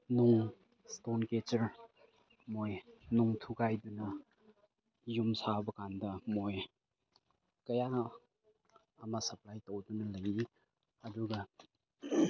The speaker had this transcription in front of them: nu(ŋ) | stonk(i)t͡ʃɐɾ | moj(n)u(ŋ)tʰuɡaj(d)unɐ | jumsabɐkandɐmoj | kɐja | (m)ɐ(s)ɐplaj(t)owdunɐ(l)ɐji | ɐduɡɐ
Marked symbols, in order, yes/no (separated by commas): yes, no, yes, yes, yes, yes, yes, yes, yes